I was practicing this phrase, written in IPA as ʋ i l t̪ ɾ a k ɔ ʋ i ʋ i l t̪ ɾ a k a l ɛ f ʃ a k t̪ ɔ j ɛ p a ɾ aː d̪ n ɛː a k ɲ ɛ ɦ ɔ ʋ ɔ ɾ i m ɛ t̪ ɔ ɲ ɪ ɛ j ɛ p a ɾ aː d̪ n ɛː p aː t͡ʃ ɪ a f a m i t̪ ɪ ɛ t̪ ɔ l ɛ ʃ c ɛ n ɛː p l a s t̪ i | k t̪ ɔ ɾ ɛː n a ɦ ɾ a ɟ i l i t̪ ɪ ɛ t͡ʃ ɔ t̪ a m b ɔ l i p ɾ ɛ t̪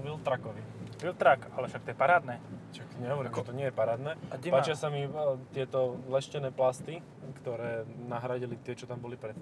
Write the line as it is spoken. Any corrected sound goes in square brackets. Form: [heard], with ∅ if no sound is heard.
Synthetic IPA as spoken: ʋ i l t̪ ɾ a k ɔ ʋ i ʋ i l t̪ ɾ a k a l ɛ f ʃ a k t̪ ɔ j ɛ p a ɾ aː d̪ n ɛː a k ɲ ɛ ɦ ɔ ʋ ɔ ɾ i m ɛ t̪ ɔ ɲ ɪ ɛ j ɛ p a ɾ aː d̪ n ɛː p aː t͡ʃ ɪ a [s] a m i t̪ ɪ ɛ t̪ ɔ l ɛ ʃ c ɛ n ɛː p l a s t̪ i | k t̪ ɔ ɾ ɛː n a ɦ ɾ a ɟ i l i t̪ ɪ ɛ t͡ʃ ɔ t̪ a m b ɔ l i p ɾ ɛ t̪